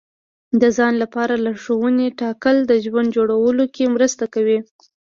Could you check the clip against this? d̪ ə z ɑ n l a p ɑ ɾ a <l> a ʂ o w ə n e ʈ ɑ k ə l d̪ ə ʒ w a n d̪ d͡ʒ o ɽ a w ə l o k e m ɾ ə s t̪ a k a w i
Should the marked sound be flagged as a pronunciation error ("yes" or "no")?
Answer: no